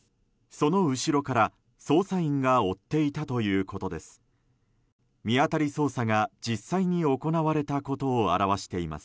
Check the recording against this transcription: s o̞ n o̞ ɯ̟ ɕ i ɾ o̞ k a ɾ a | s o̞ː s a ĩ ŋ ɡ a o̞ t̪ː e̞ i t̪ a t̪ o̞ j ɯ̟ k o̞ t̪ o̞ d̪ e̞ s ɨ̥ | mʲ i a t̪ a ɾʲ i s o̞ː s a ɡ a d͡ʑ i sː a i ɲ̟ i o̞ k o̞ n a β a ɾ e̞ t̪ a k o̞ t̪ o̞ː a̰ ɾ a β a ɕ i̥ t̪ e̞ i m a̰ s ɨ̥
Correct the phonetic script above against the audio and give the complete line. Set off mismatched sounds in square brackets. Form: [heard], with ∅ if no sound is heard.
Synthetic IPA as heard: s o̞ n o̞ ɯ̟ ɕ i ɾ o̞ k a ɾ a | s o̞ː s a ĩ ŋ ɡ a o̞ t̪ː e̞ i t̪ a t̪ o̞ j [ɯ̟ː] k o̞ t̪ o̞ d̪ e̞ s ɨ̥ | mʲ i a t̪ a ɾʲ i s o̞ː s a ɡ a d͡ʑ i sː a i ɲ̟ i o̞ k o̞ n a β a ɾ e̞ t̪ a k o̞ t̪ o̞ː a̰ ɾ a β a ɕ i̥ t̪ e̞ i m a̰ s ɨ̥